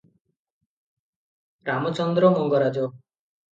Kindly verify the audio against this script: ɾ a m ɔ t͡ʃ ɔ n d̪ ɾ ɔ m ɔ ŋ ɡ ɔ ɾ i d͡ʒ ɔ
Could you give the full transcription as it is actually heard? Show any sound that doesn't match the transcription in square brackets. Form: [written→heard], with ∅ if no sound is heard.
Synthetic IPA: ɾ a m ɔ t͡ʃ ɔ n d̪ ɾ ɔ m ɔ ŋ ɡ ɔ ɾ [i→a] d͡ʒ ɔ